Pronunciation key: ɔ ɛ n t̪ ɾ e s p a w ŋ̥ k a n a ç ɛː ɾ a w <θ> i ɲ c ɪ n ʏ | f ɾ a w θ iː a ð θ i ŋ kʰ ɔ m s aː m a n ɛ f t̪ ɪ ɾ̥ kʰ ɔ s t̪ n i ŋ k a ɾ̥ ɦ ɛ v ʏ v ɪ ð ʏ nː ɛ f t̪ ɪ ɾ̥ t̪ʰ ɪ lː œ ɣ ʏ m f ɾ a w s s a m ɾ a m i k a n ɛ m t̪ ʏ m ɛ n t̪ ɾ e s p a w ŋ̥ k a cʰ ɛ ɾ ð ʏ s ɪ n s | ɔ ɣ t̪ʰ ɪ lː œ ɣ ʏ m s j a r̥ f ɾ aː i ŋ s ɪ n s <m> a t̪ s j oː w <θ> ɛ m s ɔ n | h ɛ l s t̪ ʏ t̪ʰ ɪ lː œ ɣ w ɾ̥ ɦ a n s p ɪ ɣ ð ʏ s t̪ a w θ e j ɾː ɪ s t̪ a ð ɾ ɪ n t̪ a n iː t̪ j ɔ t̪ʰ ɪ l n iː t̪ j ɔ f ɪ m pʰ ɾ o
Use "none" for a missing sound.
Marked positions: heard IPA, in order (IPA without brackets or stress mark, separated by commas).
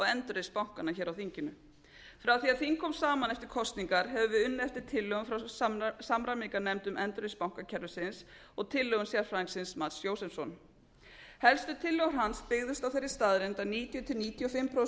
θ, m, s